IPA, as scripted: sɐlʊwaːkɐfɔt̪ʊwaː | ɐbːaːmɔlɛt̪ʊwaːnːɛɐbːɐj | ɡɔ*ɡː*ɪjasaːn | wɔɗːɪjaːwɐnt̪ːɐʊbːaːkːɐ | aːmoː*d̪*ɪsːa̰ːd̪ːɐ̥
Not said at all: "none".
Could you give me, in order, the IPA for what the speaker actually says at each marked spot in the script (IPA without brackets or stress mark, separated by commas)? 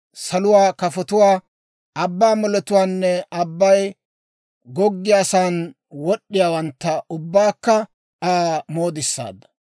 ɡː, d̪